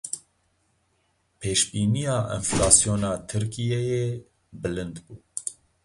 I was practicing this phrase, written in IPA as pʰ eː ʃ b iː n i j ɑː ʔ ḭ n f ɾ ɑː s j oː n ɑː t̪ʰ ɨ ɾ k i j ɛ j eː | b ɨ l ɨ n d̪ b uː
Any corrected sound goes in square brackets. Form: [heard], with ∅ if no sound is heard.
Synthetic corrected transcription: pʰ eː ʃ b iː n i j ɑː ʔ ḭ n f [l] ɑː s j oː n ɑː t̪ʰ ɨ ɾ k i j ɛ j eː | b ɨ l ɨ n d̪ b uː